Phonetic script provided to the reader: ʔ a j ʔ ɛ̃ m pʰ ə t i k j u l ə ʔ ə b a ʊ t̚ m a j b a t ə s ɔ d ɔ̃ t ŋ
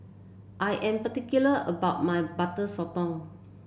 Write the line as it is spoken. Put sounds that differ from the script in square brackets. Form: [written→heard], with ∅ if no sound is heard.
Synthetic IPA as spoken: ʔ a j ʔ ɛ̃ m [pʰ→p] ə t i k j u l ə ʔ ə b a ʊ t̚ m a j b a t ə s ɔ [d→t] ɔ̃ [t→∅] ŋ

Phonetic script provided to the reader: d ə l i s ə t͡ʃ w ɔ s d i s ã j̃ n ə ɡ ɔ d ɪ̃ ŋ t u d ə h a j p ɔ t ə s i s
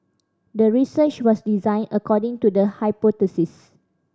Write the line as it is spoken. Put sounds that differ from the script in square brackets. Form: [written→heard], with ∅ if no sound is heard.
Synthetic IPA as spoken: d ə [l→ɹ] i s ə t͡ʃ w ɔ s d i [s→z] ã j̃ n ə [ɡ→k] ɔ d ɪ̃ ŋ t u d ə h a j p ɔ t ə s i s

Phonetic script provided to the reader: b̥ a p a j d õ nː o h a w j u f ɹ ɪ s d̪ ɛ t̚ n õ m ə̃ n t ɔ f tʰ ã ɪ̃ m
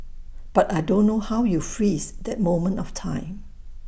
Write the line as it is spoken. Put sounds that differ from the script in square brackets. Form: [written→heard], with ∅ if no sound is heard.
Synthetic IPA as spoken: b̥ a [p→t] a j d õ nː o h a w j u f ɹ [ɪ→i] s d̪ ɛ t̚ [n→m] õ m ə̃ n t ɔ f tʰ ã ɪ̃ m

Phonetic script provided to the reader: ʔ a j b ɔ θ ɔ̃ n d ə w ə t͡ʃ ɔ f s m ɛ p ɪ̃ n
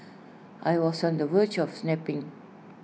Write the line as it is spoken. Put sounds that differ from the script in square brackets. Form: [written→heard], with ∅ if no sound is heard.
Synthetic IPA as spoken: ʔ a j [b→w] ɔ [θ→s] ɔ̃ n d ə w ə t͡ʃ ɔ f s [m→n] ɛ p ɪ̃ [n→ŋ]

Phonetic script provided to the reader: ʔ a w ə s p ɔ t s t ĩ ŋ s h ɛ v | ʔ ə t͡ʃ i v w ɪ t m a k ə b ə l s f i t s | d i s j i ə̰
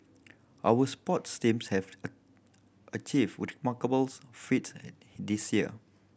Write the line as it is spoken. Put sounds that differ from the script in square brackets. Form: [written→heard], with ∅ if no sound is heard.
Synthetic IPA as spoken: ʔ a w ə s p ɔ t s t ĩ [ŋ→m] s h ɛ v | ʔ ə t͡ʃ i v w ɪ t m a k ə b ə l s f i t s | d i s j i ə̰

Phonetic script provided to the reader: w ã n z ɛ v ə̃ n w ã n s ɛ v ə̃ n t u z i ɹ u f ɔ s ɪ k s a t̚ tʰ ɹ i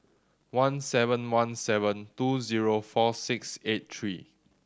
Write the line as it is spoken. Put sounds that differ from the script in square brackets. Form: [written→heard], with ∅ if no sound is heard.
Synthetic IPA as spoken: w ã n [z→s] ɛ v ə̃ n w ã n s ɛ v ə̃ n t u z i ɹ [u→o] f ɔ s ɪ k s [a→e] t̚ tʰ ɹ i

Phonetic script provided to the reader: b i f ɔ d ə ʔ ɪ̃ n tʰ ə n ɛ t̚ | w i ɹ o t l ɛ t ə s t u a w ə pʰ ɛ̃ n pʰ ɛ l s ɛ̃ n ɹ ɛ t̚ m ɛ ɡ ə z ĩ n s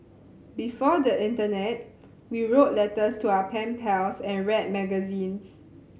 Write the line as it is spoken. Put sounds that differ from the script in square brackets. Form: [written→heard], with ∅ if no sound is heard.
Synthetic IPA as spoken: b i f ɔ d ə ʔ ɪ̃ n [tʰ→t] ə n ɛ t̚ | w i ɹ o t l ɛ t ə s t u a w ə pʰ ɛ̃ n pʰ ɛ l s ɛ̃ n ɹ ɛ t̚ m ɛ ɡ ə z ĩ n s

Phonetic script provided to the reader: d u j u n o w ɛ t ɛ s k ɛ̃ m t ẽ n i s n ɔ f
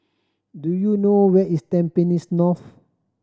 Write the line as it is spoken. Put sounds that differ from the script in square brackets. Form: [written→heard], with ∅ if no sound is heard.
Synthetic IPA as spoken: d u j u n o w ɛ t [ɛ→i] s [k→t] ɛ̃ m [t→p] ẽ n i s n ɔ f

